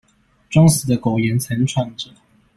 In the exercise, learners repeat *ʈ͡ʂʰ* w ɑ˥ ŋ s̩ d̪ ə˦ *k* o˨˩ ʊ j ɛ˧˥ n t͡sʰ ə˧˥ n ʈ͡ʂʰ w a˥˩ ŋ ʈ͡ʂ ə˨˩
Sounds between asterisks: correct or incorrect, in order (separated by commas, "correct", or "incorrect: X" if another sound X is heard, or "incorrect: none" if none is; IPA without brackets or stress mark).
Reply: incorrect: ʈ͡ʂ, correct